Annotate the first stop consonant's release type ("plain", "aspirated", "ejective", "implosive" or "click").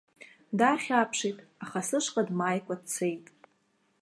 plain